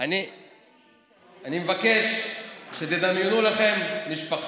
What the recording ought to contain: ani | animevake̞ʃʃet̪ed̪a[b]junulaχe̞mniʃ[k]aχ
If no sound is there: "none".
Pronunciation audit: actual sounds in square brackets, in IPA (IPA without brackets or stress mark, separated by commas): m, p